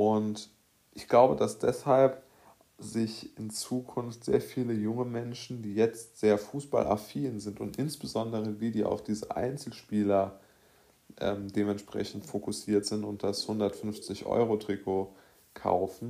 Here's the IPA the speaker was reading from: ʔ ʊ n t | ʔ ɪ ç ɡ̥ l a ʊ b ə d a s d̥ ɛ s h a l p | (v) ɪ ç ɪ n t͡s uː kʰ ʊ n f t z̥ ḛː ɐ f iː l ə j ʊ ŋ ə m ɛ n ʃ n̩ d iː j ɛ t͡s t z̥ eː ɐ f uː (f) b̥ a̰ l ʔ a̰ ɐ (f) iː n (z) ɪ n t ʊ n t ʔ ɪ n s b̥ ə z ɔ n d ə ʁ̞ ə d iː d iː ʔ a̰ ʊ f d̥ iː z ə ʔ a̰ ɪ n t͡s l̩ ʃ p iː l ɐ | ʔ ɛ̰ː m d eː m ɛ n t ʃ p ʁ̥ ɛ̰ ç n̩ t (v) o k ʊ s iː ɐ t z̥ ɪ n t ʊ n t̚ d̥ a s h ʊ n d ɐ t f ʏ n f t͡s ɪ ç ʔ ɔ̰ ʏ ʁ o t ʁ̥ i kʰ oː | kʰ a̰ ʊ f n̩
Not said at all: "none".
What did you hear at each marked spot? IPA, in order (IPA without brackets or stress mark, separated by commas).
z, s, f, z, f